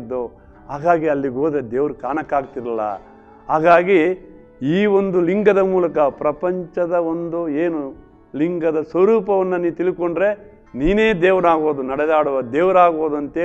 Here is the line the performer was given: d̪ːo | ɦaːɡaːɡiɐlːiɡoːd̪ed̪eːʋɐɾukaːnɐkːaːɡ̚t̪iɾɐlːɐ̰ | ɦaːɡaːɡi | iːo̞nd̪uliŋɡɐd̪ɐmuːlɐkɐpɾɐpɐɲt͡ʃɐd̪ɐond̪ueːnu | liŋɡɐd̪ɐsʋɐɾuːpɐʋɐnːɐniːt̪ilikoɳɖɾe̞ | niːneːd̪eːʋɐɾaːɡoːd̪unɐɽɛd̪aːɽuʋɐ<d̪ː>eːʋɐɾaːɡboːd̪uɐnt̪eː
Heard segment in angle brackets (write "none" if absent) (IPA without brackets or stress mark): d̪